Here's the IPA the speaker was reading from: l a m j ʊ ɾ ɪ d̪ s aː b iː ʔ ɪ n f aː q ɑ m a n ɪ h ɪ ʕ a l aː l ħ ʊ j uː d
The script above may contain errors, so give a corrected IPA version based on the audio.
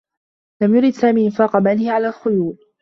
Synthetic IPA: l a m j ʊ ɾ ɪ d̪ s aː m iː ʔ ɪ n f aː q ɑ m a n ɪ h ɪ ʕ a l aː l x ʊ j uː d

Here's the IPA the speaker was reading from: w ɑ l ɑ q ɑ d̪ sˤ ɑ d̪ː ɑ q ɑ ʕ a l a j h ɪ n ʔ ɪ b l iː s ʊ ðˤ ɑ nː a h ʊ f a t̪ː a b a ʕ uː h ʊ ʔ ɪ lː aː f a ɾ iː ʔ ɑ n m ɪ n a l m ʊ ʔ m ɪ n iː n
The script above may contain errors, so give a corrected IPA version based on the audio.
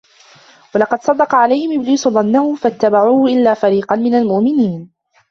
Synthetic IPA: w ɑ l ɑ q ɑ d̪ sˤ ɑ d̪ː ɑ q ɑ ʕ a l a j h ɪ m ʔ ɪ b l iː s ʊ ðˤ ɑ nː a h ʊ f a t̪ː a b a ʕ uː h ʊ ʔ ɪ lː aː f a ɾ iː q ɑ n m ɪ n a l m ʊ ʔ m ɪ n iː n

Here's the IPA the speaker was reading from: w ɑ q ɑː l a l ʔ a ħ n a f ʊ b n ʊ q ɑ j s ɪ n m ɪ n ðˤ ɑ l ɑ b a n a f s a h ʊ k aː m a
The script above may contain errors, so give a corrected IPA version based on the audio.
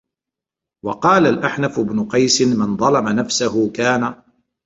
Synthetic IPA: w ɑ q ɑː l a l ʔ a ħ n a f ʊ b n ʊ q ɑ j s ɪ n m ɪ n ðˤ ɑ l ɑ m a n a f s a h ʊ k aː n a

